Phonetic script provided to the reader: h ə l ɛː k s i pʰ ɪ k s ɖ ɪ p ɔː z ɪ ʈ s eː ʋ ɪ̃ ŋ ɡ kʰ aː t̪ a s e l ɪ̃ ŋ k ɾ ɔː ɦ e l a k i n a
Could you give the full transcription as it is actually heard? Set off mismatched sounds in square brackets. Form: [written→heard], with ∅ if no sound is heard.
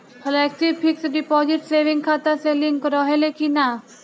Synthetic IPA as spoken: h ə l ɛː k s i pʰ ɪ k s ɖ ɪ p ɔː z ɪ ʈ s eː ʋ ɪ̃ ŋ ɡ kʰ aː t̪ a s e l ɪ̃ ŋ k ɾ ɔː ɦ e l [a→e] k i n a